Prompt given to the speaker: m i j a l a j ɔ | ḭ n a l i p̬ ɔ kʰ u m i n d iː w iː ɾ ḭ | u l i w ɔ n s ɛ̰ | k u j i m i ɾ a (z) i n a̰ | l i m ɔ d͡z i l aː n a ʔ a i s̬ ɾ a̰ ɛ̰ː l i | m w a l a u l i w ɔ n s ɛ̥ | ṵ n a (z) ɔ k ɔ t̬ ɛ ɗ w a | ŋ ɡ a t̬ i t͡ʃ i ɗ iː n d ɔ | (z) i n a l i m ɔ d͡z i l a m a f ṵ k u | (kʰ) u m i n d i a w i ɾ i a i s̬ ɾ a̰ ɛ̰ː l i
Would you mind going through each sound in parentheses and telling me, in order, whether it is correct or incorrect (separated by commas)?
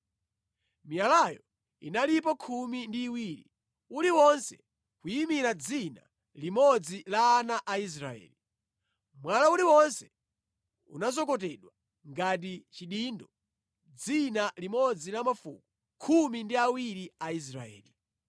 incorrect, correct, incorrect, correct